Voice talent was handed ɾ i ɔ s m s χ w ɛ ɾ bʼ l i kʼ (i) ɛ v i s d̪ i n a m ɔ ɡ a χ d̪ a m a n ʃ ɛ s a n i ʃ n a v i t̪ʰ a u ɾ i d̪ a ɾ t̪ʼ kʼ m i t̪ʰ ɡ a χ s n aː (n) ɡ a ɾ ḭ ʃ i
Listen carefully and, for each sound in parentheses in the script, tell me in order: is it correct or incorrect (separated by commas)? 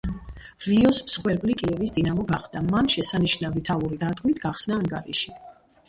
correct, incorrect